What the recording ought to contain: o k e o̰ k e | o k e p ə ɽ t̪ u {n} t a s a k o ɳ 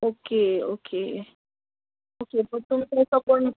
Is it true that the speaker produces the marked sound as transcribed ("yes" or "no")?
no